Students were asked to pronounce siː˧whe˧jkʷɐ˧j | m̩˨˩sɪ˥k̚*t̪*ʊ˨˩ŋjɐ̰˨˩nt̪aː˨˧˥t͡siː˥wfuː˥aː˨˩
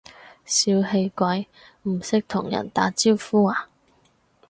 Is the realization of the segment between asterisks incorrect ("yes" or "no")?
yes